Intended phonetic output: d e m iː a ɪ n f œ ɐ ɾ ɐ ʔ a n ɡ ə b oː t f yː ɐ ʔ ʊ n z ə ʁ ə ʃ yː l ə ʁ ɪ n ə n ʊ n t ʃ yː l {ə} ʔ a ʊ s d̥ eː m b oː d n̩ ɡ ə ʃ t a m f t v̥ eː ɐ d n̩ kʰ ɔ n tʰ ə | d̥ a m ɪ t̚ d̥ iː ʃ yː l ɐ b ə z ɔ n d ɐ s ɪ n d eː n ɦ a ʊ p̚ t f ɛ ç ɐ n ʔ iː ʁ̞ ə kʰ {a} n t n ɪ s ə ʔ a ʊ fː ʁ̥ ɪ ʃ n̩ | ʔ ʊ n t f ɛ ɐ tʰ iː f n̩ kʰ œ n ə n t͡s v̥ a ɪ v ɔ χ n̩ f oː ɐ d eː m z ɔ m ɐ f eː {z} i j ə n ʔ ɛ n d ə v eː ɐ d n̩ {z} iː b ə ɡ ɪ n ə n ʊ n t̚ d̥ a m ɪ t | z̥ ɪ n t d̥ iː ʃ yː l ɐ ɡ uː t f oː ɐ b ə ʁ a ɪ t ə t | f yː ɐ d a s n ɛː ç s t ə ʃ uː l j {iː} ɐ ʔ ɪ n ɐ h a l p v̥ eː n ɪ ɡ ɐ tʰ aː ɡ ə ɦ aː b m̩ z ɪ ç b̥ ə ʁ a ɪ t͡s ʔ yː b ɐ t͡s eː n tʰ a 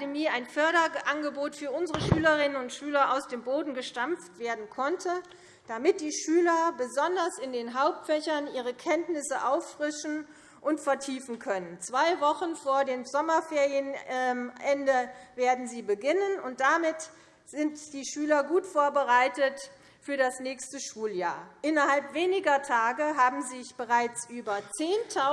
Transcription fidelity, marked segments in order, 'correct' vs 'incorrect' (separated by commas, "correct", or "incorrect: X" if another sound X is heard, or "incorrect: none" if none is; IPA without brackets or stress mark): incorrect: ɐ, incorrect: ɛ, incorrect: ʁ, correct, incorrect: aː